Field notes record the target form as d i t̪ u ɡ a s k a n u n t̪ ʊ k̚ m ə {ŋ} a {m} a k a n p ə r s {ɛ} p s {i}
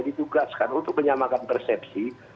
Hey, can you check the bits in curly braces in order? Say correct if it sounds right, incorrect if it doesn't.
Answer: incorrect: ɲ, correct, correct, correct

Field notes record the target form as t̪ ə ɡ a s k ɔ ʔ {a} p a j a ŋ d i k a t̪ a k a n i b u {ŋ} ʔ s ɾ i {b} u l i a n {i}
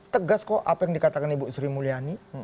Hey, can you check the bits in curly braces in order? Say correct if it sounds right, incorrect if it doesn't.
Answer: correct, incorrect: none, incorrect: m, correct

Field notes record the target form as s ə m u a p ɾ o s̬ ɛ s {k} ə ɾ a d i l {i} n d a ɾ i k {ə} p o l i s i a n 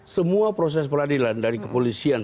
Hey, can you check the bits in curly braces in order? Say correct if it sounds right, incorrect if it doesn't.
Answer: incorrect: p, incorrect: a, correct

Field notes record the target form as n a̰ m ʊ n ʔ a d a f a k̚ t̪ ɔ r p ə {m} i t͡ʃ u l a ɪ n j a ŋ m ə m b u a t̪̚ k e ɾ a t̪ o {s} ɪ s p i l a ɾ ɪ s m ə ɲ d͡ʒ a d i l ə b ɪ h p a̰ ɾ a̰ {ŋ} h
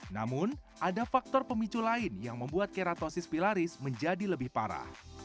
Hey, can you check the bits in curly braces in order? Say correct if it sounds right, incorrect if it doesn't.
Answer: correct, correct, incorrect: none

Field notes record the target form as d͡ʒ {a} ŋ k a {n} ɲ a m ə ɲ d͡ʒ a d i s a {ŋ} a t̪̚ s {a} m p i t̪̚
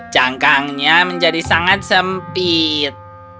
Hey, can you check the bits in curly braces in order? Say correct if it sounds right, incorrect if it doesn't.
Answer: correct, incorrect: ŋ, correct, incorrect: ə

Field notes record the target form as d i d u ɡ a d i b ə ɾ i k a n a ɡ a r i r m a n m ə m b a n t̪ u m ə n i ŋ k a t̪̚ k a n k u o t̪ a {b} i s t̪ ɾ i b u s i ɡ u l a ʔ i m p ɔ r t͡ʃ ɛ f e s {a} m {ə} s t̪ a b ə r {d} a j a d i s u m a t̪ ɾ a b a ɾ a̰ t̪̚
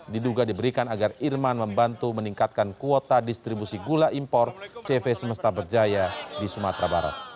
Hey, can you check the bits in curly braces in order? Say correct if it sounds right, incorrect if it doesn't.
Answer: incorrect: d, incorrect: ə, correct, incorrect: d͡ʒ

